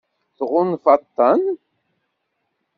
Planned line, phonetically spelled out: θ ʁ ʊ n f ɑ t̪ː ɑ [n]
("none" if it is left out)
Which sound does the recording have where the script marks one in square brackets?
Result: n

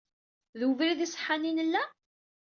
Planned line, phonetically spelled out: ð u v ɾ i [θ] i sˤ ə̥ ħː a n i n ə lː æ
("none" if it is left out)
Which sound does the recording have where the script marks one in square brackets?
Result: ð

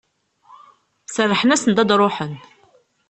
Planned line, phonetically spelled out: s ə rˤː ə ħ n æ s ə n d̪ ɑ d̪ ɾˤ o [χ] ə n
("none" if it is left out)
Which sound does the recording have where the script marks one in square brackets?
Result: ħ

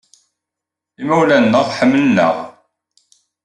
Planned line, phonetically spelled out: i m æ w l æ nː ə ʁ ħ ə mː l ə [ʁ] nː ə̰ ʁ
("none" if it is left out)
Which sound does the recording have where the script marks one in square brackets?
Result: none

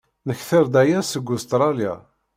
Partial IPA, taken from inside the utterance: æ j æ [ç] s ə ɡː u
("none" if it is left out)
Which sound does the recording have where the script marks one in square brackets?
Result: none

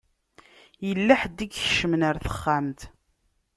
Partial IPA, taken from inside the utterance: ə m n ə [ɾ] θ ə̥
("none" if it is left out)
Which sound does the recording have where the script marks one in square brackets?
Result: ɾ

